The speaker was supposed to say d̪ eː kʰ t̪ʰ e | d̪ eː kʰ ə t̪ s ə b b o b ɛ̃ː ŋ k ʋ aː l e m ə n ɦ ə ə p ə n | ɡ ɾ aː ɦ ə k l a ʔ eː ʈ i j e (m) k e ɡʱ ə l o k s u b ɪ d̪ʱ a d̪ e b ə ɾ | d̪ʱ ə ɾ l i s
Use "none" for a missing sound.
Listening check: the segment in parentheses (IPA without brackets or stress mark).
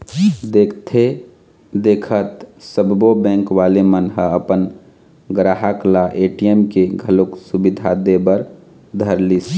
m